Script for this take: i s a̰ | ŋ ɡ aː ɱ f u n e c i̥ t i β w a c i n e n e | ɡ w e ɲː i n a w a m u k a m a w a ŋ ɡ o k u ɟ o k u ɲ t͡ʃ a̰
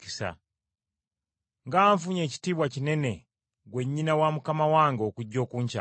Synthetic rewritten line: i s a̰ | ŋ ɡ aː ɱ f u ɲ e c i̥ t i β w a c i n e n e | ɡ w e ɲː i n a w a m u k a m a w a ŋ ɡ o k u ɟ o k u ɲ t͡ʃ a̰